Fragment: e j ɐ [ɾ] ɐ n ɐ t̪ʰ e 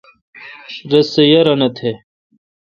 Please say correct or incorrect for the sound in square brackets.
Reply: correct